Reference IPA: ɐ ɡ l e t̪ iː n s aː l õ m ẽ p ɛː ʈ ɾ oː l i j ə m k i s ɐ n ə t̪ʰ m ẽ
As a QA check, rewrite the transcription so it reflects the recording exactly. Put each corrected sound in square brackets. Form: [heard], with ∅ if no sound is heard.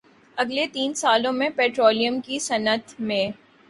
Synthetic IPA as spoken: ɐ ɡ l e t̪ iː n s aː l õ m ẽ p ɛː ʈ ɾ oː l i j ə m k i s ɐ n ə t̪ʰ m ẽ